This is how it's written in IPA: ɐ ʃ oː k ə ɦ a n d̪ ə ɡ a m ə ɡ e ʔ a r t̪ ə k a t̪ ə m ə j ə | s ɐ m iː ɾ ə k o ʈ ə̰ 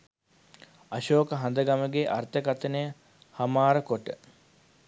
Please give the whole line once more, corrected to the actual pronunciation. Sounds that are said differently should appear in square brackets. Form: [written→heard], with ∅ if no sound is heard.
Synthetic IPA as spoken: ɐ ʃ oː k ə ɦ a n d̪ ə ɡ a m ə ɡ e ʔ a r t̪ ə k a t̪ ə [m→n] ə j ə | [s→h] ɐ m [iː→aː] ɾ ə k o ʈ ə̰

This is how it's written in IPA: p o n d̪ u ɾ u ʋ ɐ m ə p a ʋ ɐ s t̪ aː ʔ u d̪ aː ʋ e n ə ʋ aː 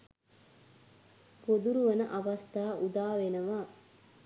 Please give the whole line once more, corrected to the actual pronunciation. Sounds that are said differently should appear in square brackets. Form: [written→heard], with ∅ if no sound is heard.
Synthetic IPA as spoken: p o [n→∅] d̪ u ɾ u ʋ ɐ [m→n] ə [p→ʔ] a ʋ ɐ s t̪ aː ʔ u d̪ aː ʋ e n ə ʋ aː

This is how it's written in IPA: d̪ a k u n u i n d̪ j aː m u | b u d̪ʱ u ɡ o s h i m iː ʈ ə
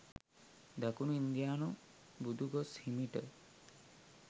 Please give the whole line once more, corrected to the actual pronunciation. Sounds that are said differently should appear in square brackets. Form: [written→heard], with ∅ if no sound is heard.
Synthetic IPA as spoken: d̪ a k u n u i n d̪ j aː [m→n] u | b u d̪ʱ u ɡ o s h i m [iː→i] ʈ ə

